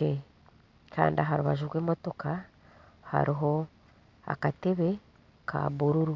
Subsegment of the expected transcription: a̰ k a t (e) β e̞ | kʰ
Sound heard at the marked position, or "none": e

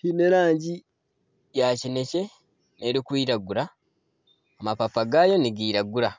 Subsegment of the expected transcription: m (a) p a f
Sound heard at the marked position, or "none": a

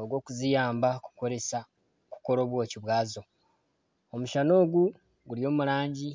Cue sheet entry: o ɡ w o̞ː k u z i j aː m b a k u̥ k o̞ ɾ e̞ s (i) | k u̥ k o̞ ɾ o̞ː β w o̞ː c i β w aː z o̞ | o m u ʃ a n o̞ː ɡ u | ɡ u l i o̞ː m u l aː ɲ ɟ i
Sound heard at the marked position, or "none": a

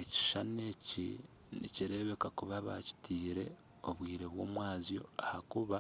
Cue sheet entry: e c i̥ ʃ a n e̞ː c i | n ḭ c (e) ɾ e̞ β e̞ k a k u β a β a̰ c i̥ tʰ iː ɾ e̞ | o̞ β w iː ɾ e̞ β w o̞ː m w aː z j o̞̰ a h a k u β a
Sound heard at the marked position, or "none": i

